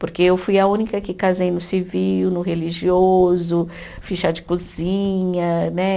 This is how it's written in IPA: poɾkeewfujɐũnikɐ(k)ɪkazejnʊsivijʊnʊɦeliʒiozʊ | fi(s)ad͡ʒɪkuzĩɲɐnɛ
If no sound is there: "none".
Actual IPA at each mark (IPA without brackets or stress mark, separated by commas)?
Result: k, ʃ